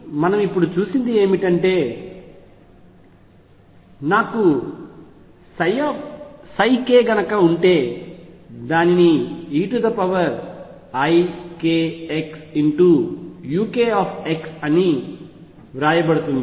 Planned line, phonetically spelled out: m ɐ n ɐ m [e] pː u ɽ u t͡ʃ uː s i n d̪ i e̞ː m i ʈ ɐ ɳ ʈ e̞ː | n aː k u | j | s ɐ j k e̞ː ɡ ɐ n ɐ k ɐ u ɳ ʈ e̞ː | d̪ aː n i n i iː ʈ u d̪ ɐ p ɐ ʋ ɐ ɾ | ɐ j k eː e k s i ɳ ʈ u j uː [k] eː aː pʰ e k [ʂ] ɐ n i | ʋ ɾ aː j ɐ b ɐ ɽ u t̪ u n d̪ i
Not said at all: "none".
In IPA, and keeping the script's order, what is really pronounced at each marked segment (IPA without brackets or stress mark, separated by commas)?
i, k, s